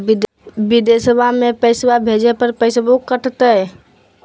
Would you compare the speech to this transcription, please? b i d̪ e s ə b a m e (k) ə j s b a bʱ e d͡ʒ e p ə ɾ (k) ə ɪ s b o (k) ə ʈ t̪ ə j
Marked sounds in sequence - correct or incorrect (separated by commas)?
incorrect, incorrect, correct